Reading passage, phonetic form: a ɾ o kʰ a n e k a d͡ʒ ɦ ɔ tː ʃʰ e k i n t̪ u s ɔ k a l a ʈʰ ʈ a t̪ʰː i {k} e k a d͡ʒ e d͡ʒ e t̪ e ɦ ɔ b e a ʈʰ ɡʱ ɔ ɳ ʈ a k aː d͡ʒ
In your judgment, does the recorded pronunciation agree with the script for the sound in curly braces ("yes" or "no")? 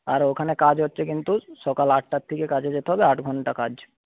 yes